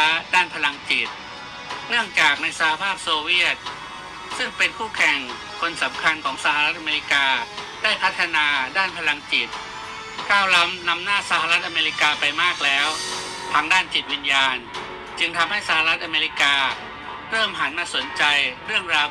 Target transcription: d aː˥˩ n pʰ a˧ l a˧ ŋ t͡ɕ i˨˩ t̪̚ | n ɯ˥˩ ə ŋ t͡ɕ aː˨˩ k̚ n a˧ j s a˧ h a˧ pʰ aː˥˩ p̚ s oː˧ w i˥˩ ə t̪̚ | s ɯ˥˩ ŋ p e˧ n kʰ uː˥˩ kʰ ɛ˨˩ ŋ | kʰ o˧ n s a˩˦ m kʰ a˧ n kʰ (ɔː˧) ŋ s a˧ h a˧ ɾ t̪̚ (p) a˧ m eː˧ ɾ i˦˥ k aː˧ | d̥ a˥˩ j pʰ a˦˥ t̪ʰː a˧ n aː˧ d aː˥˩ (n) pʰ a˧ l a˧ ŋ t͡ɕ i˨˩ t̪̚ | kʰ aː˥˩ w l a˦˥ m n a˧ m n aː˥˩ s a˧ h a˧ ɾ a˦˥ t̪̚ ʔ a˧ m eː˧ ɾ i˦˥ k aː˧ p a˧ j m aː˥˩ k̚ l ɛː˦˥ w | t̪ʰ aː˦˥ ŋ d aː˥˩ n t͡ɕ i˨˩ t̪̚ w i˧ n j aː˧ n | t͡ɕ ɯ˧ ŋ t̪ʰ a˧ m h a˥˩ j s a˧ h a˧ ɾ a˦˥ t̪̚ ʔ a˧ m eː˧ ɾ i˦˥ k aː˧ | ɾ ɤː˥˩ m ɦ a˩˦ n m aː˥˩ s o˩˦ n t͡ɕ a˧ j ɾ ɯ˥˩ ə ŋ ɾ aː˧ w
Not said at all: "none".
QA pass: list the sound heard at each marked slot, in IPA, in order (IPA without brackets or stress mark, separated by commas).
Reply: ɔː˩˦, ʔ, n